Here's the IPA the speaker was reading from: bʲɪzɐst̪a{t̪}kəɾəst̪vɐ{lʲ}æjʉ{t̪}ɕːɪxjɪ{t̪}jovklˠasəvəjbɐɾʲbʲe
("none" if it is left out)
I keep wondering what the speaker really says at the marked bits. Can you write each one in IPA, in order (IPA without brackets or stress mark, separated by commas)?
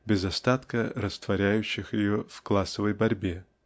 t̪, ɾʲ, none, none